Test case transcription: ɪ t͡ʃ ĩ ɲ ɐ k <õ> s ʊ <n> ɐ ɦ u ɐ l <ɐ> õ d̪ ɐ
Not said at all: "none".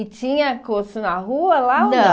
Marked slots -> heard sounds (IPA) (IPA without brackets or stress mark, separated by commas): o, n, a